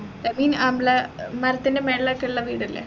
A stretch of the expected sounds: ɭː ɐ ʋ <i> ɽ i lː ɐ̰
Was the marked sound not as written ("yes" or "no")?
yes